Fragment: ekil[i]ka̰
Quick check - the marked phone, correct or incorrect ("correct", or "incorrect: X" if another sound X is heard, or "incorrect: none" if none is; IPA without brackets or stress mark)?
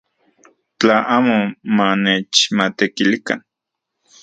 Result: correct